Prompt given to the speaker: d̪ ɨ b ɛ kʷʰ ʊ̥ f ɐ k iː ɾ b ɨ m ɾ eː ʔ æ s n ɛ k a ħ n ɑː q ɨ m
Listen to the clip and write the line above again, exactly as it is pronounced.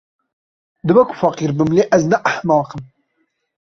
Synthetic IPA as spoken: d̪ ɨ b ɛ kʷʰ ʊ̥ f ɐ q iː ɾ b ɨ m l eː ʔ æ z n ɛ ʔ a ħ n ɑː q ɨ m